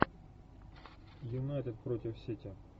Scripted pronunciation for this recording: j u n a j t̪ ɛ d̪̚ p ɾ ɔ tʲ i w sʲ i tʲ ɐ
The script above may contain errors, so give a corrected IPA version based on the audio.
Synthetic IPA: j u n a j t̪ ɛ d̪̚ p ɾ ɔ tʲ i w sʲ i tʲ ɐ